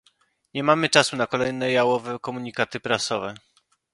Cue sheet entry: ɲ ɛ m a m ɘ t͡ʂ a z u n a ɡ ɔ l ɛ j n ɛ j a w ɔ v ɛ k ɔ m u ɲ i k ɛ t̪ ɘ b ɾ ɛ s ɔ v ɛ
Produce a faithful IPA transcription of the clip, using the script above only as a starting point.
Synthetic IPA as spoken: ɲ ɛ m a m ɘ t͡ʂ a s u n a k ɔ l ɛ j n ɛ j a w ɔ v ɛ k ɔ m u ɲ i k a t̪ ɘ p ɾ a s ɔ v ɛ